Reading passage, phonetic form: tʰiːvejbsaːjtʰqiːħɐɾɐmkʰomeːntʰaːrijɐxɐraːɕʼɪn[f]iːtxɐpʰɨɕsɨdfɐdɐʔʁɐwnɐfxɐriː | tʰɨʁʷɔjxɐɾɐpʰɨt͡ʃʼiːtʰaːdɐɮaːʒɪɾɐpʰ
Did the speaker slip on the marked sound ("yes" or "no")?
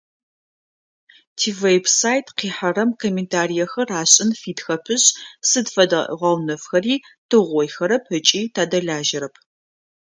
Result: no